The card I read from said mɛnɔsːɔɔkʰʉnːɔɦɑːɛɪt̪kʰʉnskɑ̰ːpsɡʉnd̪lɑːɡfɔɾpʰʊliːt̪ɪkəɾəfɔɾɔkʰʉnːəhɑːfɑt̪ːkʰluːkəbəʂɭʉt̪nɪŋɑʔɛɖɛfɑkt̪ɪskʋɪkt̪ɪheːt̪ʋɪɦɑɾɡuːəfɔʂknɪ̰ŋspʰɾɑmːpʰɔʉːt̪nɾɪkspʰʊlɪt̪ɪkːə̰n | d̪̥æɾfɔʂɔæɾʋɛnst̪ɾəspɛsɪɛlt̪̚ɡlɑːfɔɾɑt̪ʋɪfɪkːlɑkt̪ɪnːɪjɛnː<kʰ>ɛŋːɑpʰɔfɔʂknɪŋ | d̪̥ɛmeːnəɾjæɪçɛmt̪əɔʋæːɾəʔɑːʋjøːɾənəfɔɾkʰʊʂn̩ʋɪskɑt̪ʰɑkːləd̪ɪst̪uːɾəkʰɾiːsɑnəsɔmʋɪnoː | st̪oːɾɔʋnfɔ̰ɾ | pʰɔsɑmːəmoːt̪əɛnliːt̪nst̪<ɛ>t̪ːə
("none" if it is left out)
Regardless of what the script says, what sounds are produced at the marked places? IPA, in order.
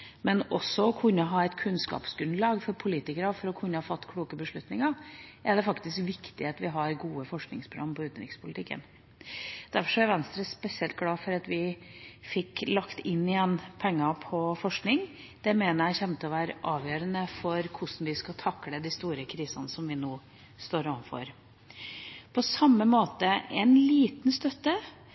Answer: pʰ, œ

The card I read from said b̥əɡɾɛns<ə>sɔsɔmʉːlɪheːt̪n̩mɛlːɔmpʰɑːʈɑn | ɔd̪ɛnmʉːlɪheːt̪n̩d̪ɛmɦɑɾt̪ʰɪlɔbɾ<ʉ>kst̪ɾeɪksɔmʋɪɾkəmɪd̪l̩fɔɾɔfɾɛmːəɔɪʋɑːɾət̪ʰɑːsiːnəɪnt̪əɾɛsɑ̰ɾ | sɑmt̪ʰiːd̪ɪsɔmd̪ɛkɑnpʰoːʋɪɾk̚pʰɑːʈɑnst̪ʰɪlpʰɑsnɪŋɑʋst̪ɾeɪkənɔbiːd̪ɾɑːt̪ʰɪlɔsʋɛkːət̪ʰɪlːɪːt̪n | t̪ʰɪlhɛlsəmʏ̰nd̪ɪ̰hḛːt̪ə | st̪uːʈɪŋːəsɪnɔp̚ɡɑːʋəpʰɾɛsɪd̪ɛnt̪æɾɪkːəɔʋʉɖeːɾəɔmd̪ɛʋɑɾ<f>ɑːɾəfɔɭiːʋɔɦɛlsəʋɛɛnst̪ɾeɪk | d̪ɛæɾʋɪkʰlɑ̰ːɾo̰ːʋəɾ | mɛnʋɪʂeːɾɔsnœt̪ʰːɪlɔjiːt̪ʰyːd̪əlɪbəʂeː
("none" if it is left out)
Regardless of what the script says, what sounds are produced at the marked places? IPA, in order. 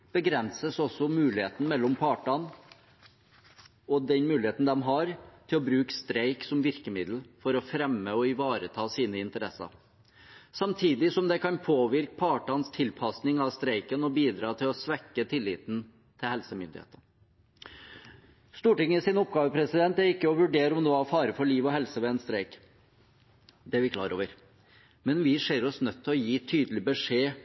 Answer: ə, ʉː, f

